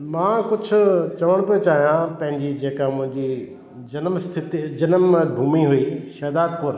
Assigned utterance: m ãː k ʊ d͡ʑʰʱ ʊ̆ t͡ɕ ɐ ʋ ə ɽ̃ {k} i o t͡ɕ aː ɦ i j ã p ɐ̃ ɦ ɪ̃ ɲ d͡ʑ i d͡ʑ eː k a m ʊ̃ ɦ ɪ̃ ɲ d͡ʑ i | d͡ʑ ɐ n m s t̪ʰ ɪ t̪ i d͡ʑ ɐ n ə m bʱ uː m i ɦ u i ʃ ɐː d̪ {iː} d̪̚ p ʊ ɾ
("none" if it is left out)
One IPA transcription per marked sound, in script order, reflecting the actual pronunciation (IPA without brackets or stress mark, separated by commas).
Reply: p, aː